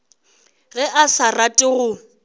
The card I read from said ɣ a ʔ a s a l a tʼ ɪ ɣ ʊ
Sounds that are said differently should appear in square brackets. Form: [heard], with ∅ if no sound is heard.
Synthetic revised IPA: ɣ [ɛ] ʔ a s a [r] a tʼ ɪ ɣ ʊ